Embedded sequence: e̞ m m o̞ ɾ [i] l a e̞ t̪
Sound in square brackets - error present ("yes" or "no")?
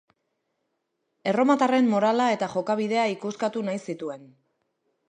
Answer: yes